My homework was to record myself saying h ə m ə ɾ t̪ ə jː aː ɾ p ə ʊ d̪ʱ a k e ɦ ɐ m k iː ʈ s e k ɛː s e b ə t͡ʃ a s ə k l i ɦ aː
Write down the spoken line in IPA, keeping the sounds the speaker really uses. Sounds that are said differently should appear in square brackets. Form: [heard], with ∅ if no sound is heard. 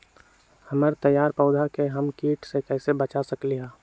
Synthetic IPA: h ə m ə ɾ t̪ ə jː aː ɾ p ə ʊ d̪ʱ a k e ɦ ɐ m k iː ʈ s e k ɛː s e b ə t͡ʃ a s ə k l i ɦ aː